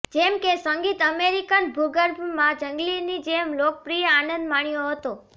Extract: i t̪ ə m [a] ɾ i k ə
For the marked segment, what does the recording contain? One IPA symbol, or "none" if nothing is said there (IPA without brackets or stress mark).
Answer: e